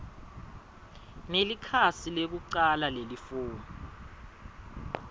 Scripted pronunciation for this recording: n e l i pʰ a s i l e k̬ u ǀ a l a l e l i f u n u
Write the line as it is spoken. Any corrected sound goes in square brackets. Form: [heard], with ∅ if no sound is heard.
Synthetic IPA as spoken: n e l i [kʰ] a s i l e k̬ u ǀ a l a l e l i f [uː] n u